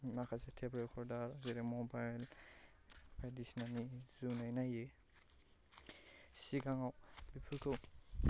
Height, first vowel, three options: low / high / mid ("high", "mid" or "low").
low